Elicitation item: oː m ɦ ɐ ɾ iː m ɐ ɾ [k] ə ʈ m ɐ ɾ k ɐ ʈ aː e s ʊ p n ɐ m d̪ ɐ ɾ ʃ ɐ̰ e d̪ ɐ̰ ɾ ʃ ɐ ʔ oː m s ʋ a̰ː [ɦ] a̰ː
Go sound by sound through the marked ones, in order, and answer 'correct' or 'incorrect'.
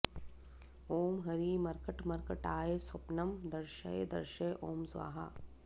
correct, correct

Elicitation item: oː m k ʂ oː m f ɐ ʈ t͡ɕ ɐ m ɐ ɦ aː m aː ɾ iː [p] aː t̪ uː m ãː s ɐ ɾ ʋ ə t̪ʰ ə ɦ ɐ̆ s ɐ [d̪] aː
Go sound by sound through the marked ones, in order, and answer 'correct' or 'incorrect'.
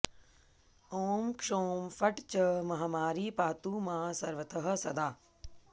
correct, correct

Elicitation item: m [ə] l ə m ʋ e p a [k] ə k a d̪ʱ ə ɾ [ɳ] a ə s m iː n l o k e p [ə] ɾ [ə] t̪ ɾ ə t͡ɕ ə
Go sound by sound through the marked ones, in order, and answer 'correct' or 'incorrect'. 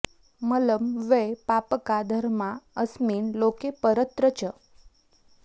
correct, incorrect, incorrect, correct, correct

